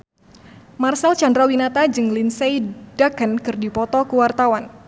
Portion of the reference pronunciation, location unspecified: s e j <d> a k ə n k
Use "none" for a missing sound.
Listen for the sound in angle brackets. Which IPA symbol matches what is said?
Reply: d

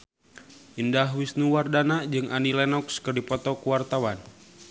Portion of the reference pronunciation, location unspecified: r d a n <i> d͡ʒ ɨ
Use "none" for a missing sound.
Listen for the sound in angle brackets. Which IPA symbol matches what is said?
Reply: a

